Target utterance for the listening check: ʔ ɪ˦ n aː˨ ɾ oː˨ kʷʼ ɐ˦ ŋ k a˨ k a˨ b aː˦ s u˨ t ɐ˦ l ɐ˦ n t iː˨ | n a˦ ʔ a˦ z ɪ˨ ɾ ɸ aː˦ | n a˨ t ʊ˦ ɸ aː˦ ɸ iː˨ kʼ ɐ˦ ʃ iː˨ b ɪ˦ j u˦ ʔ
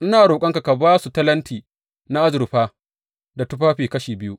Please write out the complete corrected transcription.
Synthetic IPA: ʔ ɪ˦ n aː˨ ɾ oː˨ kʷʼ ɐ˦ ŋ k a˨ k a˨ b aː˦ s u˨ t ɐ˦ l ɐ˦ n t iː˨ | n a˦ ʔ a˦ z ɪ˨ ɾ ɸ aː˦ | d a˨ t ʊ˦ ɸ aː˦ ɸ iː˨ k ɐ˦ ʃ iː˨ b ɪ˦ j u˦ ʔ

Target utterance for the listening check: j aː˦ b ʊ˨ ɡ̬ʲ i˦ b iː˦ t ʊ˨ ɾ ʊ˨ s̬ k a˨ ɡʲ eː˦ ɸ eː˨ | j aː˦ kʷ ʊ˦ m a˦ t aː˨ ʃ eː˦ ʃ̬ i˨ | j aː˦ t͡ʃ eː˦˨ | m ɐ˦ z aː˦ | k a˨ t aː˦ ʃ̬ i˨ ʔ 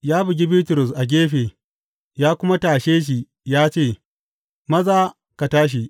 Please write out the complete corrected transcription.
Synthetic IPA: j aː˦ b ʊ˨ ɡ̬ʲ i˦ b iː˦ t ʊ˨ ɾ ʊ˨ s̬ ʔ a˨ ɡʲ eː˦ ɸ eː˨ | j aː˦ kʷ ʊ˦ m a˦ t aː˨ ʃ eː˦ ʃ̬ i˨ | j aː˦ t͡ʃ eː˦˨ | m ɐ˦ z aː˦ | k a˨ t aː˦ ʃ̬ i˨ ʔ

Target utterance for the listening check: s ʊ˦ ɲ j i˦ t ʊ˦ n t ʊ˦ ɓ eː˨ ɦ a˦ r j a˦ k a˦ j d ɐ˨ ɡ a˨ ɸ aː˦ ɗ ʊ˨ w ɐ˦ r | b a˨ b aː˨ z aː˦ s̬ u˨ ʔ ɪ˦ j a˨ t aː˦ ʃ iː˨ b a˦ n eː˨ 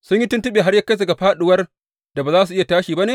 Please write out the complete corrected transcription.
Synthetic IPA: s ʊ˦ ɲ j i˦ t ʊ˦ n t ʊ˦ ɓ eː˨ ɦ a˦ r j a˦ k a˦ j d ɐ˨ ɡ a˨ ɸ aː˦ ɗ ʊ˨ w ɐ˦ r | d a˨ b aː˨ z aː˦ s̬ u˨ ʔ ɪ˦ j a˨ t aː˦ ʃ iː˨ b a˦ n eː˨

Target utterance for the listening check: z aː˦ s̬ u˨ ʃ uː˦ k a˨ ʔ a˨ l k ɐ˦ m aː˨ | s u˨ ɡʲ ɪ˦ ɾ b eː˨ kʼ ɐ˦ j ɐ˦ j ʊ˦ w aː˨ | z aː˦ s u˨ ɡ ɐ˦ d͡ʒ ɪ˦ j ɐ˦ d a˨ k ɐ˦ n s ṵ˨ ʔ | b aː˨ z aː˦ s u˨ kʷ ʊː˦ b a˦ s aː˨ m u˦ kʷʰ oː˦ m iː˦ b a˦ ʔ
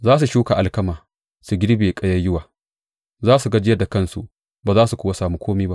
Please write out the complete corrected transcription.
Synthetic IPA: z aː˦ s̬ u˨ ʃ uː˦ k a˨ ʔ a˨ l k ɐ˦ m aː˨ | s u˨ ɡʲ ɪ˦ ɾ b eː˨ kʼ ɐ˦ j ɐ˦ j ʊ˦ w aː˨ | z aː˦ s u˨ ɡ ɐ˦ d͡ʒ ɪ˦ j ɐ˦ d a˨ k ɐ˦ n s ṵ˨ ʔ | b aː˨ z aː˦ s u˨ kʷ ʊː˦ w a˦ s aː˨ m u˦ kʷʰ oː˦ m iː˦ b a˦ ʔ

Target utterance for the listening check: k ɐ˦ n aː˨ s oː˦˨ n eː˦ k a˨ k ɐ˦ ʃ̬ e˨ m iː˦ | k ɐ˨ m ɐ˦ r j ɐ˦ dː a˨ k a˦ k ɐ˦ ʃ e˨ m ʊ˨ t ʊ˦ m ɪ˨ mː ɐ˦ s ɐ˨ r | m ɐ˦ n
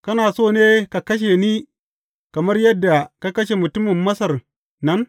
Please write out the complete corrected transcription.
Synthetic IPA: k ɐ˦ n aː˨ s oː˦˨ n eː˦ k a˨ k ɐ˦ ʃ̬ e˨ n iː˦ | k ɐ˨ m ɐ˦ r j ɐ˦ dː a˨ k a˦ k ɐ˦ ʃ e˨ m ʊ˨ t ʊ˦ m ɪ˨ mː ɐ˦ s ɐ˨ r | n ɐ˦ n

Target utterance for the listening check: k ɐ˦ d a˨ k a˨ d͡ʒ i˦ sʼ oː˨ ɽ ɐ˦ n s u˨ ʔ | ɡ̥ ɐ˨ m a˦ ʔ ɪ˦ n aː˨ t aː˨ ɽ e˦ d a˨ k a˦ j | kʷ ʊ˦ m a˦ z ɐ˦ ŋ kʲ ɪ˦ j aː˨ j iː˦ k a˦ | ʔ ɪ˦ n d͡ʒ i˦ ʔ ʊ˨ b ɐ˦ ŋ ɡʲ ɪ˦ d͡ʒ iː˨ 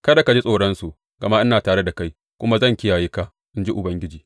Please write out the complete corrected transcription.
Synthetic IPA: k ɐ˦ d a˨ k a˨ d͡ʒ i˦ sʼ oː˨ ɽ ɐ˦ n s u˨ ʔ | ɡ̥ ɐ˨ m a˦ ʔ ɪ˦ n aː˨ t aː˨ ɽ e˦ d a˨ k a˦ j | kʷ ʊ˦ m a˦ z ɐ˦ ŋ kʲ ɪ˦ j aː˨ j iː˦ k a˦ | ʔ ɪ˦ n d͡ʒ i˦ ʔ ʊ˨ b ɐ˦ ŋ ɡʲ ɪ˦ d͡ʒ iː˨

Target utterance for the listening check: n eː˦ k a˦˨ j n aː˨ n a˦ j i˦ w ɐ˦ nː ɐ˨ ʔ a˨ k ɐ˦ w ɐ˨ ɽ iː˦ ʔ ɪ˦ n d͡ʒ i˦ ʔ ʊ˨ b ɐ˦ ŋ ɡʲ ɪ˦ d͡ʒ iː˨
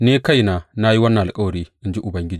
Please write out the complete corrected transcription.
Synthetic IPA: n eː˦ k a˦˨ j n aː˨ n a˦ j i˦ w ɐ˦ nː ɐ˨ ʔ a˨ kʼ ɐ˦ w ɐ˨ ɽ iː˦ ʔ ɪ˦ n d͡ʒ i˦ ʔ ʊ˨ b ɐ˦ ŋ ɡʲ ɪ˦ d͡ʒ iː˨

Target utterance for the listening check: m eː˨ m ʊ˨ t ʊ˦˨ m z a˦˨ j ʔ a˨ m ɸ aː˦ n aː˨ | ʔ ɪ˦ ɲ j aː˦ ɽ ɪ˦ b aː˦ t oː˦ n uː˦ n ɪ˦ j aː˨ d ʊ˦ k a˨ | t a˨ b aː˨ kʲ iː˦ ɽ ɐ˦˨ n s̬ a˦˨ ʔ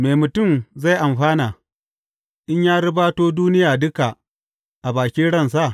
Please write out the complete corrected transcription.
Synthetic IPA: m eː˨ m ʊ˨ t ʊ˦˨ m z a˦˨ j ʔ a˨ m ɸ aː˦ n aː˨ | ʔ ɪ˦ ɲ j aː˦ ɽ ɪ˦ b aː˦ t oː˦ d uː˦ n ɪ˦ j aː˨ d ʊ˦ k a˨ | ʔ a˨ b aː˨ kʲ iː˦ ɽ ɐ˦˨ n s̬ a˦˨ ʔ

